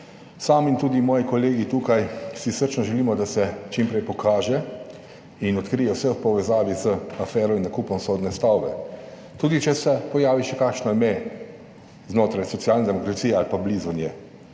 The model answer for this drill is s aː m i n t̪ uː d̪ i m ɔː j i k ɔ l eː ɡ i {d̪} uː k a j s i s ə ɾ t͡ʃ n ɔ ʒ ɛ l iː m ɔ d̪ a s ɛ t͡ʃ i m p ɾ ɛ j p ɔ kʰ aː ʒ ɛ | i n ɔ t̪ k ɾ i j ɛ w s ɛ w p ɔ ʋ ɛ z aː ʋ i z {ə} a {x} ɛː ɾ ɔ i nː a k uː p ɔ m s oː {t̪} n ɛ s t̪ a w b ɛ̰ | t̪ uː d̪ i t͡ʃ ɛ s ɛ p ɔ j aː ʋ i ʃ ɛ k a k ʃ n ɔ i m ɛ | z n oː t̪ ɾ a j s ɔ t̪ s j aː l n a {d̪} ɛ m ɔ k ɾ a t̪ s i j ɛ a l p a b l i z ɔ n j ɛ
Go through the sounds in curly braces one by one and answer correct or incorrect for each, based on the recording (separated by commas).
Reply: incorrect, correct, incorrect, incorrect, correct